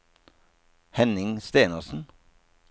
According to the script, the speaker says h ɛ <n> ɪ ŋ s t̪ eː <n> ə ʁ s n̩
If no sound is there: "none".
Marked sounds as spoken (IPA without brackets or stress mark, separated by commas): n, n